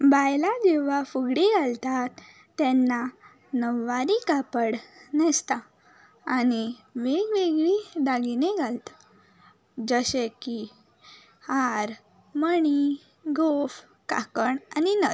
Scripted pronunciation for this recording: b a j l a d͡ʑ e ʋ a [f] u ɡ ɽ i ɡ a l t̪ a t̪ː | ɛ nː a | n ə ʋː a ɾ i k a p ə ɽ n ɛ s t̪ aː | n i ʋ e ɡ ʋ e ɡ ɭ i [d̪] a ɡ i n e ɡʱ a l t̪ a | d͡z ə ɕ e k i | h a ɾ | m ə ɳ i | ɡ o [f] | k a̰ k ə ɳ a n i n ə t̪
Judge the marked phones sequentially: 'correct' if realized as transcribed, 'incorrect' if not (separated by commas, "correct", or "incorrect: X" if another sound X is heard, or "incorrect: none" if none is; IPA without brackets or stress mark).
correct, correct, correct